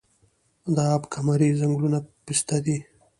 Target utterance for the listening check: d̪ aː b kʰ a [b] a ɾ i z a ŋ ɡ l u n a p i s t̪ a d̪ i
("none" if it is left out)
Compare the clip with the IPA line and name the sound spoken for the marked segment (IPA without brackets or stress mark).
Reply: m